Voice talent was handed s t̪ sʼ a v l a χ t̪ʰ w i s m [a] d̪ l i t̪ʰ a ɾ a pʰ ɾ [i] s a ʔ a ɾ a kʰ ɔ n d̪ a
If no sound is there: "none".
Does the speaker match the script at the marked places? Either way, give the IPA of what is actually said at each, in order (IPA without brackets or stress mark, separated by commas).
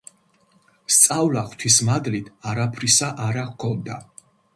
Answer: a, i